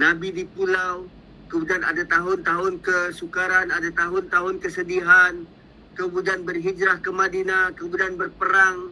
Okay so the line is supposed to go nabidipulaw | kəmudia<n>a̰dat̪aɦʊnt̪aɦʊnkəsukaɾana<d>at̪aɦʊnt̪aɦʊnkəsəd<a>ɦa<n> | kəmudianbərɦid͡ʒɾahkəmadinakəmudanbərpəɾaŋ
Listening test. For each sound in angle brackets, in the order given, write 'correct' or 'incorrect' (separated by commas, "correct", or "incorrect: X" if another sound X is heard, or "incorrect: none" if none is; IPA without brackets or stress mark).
correct, correct, incorrect: i, correct